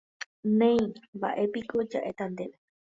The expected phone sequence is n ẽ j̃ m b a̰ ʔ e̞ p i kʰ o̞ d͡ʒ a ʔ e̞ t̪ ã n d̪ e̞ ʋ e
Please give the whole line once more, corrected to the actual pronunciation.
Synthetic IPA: n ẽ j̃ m b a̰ ʔ e̞ p i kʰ o̞ d͡ʒ a ʔ e̞ t̪ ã n d̪ e̞ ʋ e